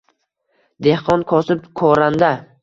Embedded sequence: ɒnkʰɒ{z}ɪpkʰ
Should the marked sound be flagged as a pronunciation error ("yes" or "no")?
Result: yes